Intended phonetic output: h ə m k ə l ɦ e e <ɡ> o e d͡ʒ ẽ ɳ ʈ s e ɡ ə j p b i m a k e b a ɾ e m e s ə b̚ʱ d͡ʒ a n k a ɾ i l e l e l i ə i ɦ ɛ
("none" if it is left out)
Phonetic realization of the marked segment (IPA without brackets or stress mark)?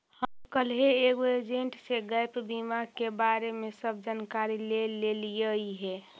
ɡ